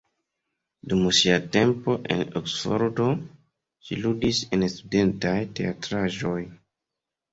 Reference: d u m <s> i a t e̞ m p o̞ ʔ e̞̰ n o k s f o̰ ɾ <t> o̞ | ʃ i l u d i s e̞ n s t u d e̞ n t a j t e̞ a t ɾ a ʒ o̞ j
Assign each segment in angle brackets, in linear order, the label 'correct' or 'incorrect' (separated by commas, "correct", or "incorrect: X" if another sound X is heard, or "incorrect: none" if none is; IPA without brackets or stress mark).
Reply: correct, incorrect: d